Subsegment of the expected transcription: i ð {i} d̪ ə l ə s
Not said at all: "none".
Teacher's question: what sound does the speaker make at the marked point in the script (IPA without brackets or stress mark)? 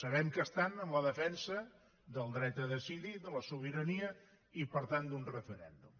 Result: i